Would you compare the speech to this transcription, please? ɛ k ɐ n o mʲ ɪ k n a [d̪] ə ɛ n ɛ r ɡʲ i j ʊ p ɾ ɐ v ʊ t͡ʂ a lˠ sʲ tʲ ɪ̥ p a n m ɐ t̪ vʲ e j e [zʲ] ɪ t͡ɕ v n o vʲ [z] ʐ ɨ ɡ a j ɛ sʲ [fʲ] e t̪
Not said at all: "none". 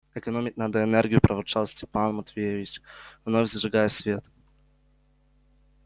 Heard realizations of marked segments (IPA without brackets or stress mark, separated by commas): d̪, vʲ, z, vʲ